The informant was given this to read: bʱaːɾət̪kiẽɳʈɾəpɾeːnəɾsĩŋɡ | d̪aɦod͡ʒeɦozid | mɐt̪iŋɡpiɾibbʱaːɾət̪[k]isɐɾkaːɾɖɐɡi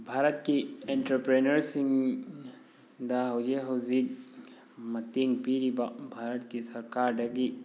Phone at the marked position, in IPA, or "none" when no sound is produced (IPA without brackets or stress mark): k